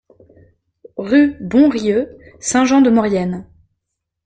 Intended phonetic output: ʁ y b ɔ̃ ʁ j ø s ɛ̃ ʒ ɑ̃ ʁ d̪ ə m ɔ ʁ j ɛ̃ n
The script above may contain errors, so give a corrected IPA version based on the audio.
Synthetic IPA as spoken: ʁ y b ɔ̃ ʁ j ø s ɛ̃ ʒ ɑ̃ d̪ ə m ɔ ʁ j ɛ n